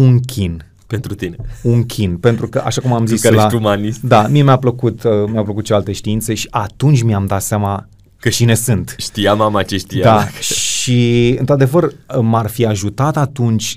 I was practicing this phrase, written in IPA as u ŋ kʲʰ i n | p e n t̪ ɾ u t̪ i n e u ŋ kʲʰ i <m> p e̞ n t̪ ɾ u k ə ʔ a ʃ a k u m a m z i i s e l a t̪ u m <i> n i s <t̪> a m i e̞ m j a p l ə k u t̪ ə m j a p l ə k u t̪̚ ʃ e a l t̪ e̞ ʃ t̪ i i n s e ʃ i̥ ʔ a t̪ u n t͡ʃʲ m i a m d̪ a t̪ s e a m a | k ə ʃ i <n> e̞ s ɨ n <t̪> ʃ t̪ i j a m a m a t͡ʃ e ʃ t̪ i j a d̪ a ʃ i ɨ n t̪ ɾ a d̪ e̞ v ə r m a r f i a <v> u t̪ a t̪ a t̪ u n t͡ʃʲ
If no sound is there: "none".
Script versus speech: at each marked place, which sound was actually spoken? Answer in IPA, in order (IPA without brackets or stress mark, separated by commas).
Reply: n, a, d̪, n, t̪, ʒ